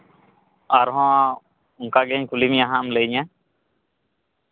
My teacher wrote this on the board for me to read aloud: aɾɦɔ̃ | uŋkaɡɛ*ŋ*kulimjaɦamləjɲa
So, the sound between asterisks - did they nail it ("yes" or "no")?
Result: no